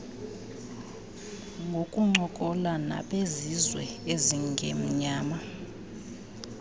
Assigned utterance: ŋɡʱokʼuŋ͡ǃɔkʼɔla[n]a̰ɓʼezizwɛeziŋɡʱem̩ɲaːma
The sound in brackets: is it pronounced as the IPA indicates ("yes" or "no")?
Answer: yes